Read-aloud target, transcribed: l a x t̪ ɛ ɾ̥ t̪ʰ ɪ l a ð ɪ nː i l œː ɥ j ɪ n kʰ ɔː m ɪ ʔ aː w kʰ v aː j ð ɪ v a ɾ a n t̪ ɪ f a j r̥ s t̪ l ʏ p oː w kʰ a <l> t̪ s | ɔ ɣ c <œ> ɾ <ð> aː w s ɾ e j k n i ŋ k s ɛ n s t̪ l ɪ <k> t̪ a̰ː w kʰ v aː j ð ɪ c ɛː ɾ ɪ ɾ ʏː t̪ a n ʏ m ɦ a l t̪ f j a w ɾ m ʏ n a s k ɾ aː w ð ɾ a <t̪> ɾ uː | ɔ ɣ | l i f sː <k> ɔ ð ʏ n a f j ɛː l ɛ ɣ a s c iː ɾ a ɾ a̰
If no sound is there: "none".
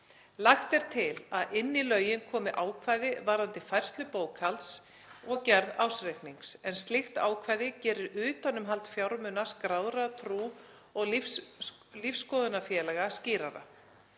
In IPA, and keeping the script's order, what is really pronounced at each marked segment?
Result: l, ɛ, ð, x, t̪ʰ, k

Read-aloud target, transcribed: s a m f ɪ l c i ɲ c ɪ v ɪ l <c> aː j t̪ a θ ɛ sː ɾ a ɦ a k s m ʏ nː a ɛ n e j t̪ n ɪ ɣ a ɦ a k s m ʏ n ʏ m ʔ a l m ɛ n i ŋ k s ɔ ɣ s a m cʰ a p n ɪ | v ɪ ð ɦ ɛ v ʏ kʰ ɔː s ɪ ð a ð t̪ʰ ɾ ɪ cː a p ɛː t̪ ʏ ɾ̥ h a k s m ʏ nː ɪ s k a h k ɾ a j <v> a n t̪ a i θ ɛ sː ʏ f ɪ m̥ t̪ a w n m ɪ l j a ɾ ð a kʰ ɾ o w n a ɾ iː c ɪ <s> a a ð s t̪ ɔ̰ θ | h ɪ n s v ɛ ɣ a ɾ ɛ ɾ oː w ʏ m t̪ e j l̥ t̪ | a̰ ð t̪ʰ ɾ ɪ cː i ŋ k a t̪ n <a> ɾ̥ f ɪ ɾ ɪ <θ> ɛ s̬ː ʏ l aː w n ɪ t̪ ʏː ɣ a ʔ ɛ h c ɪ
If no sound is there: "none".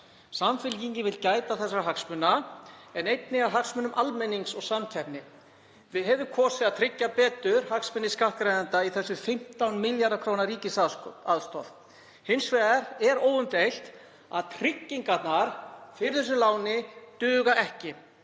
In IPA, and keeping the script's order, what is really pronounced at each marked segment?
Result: c, ð, s, a, θ

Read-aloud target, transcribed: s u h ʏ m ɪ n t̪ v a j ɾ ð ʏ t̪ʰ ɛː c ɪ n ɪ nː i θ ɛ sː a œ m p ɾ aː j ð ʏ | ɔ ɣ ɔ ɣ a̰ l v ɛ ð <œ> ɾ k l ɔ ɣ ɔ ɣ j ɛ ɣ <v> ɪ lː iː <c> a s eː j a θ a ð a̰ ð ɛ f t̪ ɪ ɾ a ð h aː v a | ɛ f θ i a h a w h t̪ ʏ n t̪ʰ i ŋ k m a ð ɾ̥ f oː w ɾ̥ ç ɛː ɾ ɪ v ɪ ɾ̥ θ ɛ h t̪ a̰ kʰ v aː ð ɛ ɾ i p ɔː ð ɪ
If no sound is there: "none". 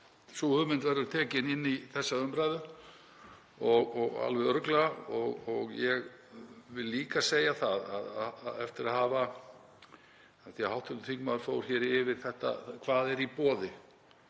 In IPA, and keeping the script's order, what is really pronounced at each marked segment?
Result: œ, v, k

